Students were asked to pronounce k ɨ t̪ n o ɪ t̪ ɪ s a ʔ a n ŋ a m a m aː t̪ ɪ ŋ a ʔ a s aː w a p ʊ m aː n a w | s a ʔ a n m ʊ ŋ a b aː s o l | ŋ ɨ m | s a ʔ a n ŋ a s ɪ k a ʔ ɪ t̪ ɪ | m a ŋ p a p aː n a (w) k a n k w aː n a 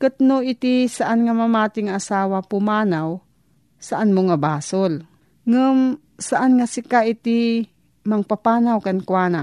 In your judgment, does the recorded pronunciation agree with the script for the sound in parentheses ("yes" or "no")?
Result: yes